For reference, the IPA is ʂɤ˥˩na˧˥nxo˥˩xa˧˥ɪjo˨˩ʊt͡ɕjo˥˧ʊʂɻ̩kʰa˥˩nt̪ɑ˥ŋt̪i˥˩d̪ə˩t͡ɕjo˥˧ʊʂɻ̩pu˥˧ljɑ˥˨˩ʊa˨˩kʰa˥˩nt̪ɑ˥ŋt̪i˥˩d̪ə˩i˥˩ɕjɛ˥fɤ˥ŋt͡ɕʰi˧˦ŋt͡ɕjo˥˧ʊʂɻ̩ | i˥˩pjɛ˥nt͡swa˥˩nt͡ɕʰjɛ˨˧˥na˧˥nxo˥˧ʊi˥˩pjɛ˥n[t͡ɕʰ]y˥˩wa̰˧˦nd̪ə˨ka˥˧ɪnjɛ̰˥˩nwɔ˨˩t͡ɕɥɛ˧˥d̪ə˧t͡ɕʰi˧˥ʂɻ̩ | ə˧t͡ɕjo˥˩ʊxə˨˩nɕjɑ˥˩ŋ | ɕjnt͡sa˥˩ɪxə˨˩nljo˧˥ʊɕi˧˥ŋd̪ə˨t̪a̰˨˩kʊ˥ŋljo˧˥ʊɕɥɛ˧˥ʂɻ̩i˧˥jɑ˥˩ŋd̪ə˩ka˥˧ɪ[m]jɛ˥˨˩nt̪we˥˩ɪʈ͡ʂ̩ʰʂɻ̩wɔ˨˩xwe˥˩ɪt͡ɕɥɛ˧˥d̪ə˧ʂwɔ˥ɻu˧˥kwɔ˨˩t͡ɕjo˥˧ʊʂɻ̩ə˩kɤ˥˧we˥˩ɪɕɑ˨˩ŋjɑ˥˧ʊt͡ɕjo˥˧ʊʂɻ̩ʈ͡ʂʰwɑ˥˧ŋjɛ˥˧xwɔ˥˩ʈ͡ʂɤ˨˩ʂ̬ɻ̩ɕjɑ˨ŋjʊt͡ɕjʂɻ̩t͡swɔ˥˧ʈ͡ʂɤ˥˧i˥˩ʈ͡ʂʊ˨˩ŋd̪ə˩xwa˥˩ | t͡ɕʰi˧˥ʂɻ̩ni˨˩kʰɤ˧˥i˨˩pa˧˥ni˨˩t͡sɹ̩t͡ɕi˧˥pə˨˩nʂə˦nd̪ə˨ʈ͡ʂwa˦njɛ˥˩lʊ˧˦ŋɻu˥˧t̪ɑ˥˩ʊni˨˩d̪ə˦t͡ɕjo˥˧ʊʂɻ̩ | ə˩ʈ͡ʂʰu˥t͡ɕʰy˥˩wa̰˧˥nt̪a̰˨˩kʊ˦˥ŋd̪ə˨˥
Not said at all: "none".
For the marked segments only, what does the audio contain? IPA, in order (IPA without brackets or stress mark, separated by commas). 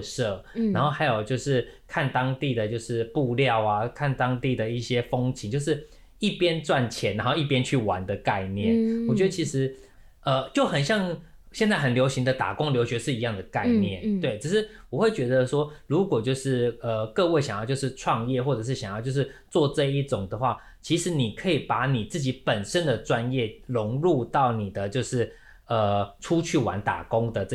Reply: t͡ɕʰ, n